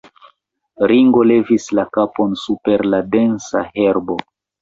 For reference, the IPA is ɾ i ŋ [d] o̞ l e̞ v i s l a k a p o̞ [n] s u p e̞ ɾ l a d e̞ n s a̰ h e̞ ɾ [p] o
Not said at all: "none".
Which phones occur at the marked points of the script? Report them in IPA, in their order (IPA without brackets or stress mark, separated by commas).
ɡ, n, b